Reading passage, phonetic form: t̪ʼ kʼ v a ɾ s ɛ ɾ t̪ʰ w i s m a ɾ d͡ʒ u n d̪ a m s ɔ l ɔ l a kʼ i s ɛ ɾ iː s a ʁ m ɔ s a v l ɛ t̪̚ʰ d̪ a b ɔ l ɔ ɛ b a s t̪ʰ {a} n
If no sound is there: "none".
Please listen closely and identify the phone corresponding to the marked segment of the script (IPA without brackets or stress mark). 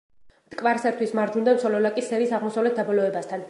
a